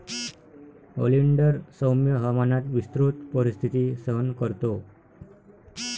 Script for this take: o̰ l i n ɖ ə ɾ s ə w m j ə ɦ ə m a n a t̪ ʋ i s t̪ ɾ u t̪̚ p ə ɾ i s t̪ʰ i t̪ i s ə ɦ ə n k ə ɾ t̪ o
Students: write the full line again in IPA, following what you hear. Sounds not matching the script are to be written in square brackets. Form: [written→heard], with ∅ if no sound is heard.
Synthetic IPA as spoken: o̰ l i [n→ɳ] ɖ ə ɾ s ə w m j ə ɦ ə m a n a t̪ ʋ i s t̪ ɾ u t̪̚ p ə ɾ i s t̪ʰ i t̪ i s ə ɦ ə n k ə ɾ t̪ o

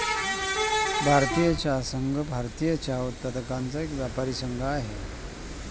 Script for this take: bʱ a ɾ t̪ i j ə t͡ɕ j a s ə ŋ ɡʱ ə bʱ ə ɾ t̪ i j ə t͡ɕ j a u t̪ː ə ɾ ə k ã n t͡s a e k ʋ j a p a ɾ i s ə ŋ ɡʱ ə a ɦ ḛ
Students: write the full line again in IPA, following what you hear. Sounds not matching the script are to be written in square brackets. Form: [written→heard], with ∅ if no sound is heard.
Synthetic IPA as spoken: bʱ a ɾ t̪ i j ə t͡ɕ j a s ə ŋ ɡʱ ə bʱ [ə→a] ɾ t̪ i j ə t͡ɕ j a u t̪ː ə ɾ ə k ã n t͡s a e k ʋ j a p a ɾ i s ə ŋ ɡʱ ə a ɦ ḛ

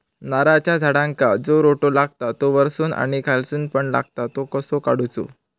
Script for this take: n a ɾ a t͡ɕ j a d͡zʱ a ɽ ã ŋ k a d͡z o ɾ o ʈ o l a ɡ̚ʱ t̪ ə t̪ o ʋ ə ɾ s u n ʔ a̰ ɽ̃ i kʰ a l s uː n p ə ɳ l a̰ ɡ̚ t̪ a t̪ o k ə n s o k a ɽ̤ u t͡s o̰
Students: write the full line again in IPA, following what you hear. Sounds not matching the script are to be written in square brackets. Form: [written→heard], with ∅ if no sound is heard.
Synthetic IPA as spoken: n a ɾ a t͡ɕ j a d͡zʱ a ɽ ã ŋ k a d͡z o ɾ o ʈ o l a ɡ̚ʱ t̪ [ə→a] t̪ o ʋ ə ɾ s [u→uː] n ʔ a̰ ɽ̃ i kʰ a l s uː n p ə ɳ l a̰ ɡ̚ t̪ a t̪ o k ə [n→∅] s o k a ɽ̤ u t͡s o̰

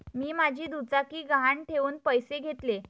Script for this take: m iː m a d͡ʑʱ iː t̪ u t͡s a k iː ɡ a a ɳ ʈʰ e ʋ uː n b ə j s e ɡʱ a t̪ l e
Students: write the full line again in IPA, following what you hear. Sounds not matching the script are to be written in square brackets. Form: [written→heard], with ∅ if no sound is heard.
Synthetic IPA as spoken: m iː m a d͡ʑʱ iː [t̪→d̪] u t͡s a k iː ɡ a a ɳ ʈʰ e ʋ uː n [b→p] ə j s e ɡʱ [a→e] t̪ l e

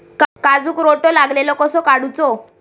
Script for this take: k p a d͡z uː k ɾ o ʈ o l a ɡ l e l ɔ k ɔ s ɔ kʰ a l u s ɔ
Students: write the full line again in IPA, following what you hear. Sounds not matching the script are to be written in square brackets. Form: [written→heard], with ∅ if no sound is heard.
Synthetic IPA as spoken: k [p→k] a d͡z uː k ɾ o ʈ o l a ɡ l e l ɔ k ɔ s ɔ [kʰ→k] a [l→ɽ] u [s→t͡s] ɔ

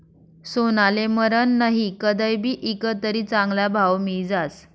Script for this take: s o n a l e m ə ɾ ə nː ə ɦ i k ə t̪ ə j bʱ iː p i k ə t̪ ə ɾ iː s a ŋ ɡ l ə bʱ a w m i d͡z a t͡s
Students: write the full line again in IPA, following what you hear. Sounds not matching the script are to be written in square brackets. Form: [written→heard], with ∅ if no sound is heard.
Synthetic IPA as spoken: s o n a l e m ə ɾ ə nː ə ɦ i k ə [t̪→d̪] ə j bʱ iː [p→ʔ] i k ə t̪ ə ɾ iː [s→t͡s] a ŋ ɡ l [ə→a] bʱ a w m i d͡z a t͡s

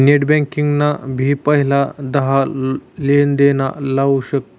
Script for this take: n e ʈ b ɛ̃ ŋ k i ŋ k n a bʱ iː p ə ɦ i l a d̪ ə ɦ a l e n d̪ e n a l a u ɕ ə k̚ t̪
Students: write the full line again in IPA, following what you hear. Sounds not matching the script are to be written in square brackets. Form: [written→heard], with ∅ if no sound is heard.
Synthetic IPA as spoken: n e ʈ b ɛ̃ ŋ k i ŋ [k→ɡ] n a bʱ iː p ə ɦ i l a d̪ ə ɦ a l e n d̪ e n a l a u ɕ ə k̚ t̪

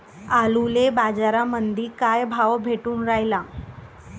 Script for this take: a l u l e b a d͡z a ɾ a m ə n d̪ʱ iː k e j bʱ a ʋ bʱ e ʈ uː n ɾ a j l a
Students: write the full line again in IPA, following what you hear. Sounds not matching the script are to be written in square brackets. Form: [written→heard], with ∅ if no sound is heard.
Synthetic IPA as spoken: a l u l e b a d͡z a ɾ a m ə n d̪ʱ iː k [e→a] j bʱ a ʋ bʱ e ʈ uː n ɾ a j l a

